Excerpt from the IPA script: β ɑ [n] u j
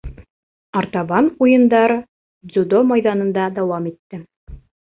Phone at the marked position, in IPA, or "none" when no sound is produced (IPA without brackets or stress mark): n